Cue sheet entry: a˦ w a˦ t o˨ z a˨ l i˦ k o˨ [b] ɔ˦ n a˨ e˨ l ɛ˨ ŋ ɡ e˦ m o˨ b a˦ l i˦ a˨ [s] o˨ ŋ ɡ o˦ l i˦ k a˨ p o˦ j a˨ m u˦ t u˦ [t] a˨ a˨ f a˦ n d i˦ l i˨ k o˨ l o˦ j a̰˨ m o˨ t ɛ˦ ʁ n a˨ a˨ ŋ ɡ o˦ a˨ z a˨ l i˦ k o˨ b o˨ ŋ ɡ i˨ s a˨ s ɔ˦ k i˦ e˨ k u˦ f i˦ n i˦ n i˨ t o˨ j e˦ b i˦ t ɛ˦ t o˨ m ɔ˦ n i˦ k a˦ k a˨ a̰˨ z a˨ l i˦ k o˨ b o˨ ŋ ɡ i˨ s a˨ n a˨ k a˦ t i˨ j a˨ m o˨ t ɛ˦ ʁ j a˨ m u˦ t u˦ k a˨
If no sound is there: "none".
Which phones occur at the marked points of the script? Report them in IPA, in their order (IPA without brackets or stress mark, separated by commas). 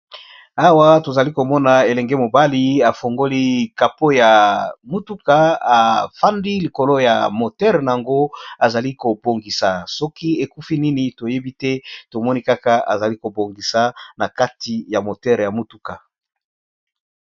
m, f, k